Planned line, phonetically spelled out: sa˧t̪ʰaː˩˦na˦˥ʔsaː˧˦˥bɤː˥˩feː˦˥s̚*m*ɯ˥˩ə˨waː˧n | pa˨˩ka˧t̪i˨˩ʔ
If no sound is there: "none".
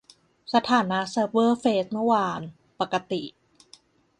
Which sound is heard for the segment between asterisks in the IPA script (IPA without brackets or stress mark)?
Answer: m